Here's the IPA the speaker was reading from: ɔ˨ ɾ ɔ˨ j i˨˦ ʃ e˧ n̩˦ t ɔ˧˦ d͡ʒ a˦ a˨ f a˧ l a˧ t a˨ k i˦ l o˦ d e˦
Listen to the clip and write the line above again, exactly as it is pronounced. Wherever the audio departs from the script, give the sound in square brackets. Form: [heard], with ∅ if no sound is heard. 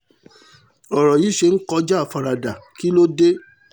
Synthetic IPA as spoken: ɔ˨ ɾ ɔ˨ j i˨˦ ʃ e˧ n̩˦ [k] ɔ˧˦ d͡ʒ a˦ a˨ f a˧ [ɾ] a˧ [d] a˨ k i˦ l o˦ d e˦